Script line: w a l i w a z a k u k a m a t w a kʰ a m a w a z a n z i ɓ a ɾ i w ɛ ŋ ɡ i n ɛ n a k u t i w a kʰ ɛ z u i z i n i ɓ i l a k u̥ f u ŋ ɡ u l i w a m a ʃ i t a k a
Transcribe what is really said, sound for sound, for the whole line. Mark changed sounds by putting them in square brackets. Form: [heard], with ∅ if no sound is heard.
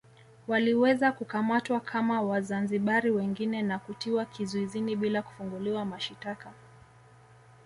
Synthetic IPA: w a l i w [ɛ] z a k u k a m a t w a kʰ a m a w a z a n z i ɓ a ɾ i w ɛ ŋ ɡ i n ɛ n a k u t i w a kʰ [i] z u i z i n i ɓ i l a k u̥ f u ŋ ɡ u l i w a m a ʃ i t a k a